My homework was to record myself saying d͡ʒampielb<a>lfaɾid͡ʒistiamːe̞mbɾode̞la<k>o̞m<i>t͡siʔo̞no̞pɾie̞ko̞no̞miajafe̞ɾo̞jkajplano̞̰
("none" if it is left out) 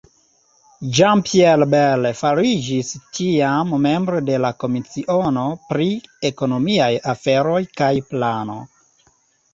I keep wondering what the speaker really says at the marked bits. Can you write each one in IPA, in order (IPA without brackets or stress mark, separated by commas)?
e, k, i